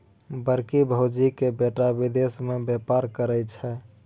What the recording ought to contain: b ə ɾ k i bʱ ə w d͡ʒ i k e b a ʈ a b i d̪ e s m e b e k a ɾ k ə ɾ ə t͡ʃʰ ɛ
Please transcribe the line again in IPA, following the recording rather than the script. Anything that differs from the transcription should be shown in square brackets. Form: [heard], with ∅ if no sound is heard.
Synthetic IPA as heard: b ə ɾ k i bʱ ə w d͡ʒ i k e b [e] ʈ a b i d̪ e s m e b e [p] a ɾ k ə ɾ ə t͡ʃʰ ɛ